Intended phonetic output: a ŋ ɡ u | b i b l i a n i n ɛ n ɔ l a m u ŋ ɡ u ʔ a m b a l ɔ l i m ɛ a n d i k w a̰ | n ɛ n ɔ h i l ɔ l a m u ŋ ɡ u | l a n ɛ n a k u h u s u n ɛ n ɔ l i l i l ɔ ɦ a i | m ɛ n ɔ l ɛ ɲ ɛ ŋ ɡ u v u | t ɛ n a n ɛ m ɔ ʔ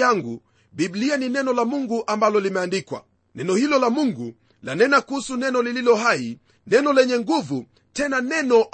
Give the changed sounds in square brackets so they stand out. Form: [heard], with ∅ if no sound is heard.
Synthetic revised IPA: a ŋ ɡ u | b i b l i a n i n ɛ n ɔ l a m u ŋ ɡ u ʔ a m b a l ɔ l i m ɛ a n d i k w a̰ | n ɛ n ɔ h i l ɔ l a m u ŋ ɡ u | l a n ɛ n a k u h u s u n ɛ n ɔ l i l i l ɔ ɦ a i | [n] ɛ n ɔ l ɛ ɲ ɛ ŋ ɡ u v u | t ɛ n a n ɛ [n] ɔ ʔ